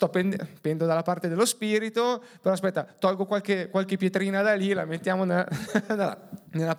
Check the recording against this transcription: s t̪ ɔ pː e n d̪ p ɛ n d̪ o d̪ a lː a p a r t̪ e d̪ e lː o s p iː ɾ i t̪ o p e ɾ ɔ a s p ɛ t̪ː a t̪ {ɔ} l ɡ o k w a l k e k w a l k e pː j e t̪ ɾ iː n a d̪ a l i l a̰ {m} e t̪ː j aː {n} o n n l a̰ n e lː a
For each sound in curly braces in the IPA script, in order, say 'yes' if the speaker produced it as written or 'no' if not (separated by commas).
yes, yes, no